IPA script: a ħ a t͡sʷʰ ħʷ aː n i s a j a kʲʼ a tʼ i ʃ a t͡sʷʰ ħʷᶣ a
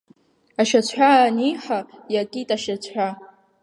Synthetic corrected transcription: a ʃ a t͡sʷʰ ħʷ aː n i ħ a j a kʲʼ i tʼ a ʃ a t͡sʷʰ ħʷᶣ a

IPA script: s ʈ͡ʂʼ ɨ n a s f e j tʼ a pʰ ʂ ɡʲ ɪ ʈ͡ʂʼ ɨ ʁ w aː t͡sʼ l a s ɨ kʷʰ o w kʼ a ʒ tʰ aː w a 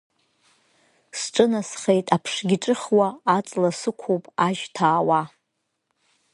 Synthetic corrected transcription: s ʈ͡ʂʼ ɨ n a s χ e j tʼ a pʰ ʂ ɡʲ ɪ ʈ͡ʂʼ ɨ χ w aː t͡sʼ l a s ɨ kʷʰ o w pʼ a ʒ tʰ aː w a

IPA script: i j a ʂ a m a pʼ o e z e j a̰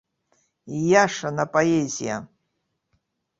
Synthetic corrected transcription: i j a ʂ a n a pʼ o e z i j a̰

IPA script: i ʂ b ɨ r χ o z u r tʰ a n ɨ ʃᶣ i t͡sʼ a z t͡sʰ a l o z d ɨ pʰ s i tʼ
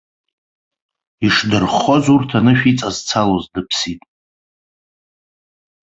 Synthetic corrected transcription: i ʂ d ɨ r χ o z u r tʰ a n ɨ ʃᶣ i t͡sʼ a z t͡sʰ a l o z d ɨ pʰ s i tʼ

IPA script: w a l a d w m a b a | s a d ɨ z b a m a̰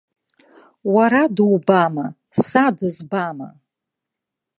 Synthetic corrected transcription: w a ɾ a d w b a m a | s a d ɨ z b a m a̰

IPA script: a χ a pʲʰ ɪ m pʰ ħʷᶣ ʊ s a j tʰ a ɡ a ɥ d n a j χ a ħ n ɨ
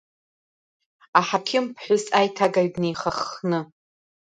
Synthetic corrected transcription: a ħ a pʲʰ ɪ m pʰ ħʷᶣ ʊ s a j tʰ a ɡ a ɥ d n e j χ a χ n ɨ

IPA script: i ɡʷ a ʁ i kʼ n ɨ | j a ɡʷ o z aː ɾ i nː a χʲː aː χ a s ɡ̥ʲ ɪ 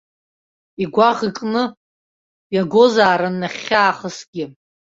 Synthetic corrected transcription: i ɡʷ a ʁ i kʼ n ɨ | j a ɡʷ o z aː ɾ a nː a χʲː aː χ ə s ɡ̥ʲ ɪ

